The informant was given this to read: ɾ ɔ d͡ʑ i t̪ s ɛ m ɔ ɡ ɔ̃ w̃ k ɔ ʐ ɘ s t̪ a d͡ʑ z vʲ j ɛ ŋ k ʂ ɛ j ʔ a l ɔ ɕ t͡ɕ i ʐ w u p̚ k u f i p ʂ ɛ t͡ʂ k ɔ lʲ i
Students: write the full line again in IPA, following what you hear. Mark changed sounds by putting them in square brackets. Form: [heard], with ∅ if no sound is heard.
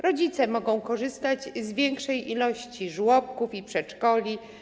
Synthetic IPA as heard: ɾ ɔ d͡ʑ i t̪ s ɛ m ɔ ɡ ɔ̃ w̃ k ɔ ʐ ɘ s t̪ a d͡ʑ z vʲ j ɛ ŋ k ʂ ɛ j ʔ [i] l ɔ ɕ t͡ɕ i ʐ w [ɔ] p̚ k u f i p ʂ ɛ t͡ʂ k ɔ lʲ i